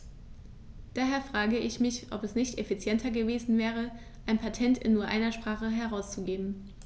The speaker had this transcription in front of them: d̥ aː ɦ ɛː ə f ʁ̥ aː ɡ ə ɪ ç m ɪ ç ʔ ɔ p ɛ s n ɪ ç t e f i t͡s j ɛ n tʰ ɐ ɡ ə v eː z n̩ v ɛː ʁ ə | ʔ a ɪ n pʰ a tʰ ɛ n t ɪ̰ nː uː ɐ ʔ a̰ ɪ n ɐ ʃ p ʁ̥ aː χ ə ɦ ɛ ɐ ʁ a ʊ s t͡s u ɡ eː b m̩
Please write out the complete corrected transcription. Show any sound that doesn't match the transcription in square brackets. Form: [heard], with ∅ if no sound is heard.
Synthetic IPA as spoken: d̥ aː ɦ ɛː [ɐ] f ʁ̥ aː ɡ ə ɪ ç m ɪ ç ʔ ɔ p ɛ s n ɪ ç t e f i t͡s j ɛ n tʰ ɐ ɡ ə v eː z n̩ v ɛː ʁ ə | ʔ a ɪ n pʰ a tʰ ɛ n t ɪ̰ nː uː ɐ ʔ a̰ ɪ n ɐ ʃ p ʁ̥ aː χ ə ɦ ɛ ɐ ʁ a ʊ s t͡s u ɡ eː b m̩